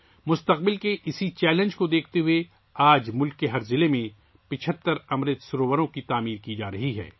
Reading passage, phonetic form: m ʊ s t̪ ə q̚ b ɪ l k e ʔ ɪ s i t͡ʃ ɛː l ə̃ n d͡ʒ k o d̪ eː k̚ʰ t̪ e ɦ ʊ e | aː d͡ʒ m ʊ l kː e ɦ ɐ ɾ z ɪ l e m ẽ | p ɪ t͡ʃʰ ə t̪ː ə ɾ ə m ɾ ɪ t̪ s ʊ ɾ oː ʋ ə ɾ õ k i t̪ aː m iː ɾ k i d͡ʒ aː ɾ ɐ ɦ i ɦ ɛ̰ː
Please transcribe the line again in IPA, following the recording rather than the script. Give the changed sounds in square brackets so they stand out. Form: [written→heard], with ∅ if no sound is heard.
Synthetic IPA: m ʊ s t̪ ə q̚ b ɪ l k e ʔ ɪ s i t͡ʃ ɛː l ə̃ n d͡ʒ k o d̪ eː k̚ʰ t̪ e ɦ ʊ e | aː d͡ʒ m ʊ l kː e ɦ ɐ ɾ z ɪ l e m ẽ | p ɪ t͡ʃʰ ə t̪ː ə ɾ [ə→ɐ] m ɾ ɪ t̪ s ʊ ɾ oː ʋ ə ɾ õ k i t̪ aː m iː ɾ k i d͡ʒ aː ɾ ɐ ɦ i ɦ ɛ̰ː